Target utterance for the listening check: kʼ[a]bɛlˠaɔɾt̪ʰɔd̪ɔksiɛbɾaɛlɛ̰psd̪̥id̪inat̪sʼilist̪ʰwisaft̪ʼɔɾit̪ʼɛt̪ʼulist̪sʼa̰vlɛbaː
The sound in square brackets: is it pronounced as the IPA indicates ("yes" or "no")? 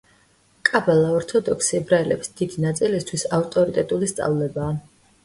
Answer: yes